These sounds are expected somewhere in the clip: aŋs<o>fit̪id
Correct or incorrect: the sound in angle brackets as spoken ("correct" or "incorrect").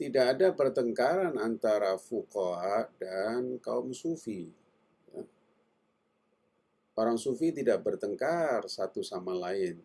incorrect